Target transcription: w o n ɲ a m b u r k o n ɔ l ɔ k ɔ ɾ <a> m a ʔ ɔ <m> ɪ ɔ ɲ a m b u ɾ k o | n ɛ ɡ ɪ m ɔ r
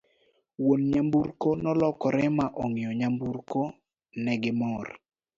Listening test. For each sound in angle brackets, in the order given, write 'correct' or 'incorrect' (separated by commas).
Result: incorrect, incorrect